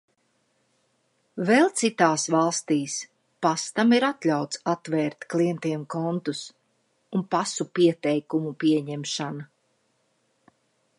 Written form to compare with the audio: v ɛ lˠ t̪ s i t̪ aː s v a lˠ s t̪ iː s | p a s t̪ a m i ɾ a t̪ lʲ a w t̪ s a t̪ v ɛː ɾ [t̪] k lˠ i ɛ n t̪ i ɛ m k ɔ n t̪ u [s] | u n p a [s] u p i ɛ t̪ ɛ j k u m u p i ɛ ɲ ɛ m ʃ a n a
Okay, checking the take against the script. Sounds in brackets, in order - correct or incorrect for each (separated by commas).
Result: correct, correct, correct